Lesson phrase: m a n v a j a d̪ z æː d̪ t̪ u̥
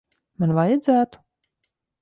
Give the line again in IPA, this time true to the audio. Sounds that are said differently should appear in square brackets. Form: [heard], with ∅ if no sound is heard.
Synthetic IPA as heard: m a n v a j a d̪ z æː [∅] t̪ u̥